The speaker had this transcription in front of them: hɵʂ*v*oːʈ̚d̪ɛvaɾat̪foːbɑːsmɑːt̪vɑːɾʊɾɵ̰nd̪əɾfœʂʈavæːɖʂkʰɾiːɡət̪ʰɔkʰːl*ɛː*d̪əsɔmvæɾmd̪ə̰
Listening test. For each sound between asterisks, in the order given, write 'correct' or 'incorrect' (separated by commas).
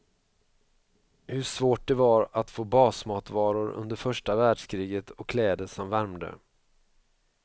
correct, correct